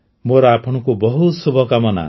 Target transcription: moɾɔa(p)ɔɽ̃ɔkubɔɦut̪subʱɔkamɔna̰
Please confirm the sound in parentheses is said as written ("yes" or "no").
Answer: no